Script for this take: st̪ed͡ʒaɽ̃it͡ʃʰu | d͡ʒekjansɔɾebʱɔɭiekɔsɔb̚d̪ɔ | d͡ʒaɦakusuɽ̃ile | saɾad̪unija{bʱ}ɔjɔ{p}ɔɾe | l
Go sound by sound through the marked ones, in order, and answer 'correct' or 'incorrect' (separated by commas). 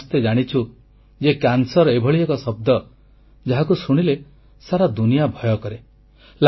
correct, incorrect